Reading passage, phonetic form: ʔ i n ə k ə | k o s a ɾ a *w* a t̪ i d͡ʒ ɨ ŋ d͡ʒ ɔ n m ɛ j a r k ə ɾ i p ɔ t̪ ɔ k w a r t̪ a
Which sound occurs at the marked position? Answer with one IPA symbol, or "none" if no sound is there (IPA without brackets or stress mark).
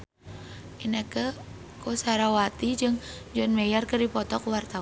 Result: w